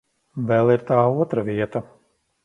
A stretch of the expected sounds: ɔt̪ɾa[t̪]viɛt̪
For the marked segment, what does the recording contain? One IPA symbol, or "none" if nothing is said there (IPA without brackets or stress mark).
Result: none